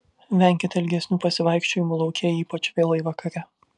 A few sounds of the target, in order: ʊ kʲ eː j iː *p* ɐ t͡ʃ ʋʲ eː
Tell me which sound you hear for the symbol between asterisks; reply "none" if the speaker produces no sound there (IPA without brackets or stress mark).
p